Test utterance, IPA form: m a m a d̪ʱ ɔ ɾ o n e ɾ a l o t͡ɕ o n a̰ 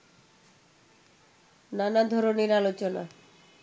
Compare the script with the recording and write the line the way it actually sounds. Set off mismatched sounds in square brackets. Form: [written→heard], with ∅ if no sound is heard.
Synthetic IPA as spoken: [m→n] a [m→n] a d̪ʱ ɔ ɾ o n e ɾ a l o t͡ɕ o n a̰